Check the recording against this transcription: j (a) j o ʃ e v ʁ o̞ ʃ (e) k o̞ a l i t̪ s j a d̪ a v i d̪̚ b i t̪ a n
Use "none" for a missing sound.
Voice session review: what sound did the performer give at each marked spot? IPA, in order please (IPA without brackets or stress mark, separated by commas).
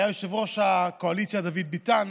a, a